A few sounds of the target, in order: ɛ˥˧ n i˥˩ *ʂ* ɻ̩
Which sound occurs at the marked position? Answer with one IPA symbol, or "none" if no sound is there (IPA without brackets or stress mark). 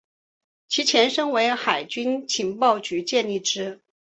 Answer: ʈ͡ʂ